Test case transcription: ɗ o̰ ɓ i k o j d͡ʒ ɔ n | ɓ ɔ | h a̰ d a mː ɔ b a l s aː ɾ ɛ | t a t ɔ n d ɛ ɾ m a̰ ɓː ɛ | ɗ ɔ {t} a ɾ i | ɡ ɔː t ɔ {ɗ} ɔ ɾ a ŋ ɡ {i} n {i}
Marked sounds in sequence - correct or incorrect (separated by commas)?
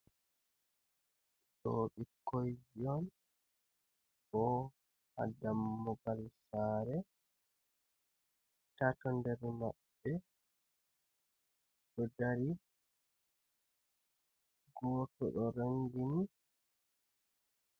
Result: incorrect, correct, correct, correct